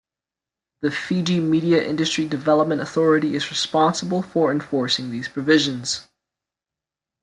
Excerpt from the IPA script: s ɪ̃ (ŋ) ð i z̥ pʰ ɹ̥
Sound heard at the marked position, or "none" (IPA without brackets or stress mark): ŋ